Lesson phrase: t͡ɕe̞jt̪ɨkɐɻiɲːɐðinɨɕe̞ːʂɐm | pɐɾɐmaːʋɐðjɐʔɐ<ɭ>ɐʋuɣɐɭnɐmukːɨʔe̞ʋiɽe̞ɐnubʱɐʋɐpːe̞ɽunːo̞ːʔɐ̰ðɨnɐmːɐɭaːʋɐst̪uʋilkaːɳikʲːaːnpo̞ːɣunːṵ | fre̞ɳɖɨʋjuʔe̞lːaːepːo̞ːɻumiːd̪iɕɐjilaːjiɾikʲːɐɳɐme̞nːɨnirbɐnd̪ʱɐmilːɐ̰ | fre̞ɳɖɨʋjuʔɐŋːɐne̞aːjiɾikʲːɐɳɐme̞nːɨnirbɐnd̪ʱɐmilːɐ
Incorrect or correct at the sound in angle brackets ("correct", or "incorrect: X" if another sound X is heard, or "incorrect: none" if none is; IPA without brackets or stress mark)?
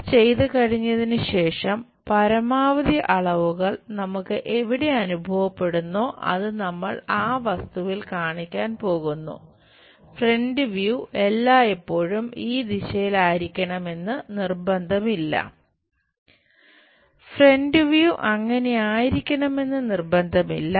correct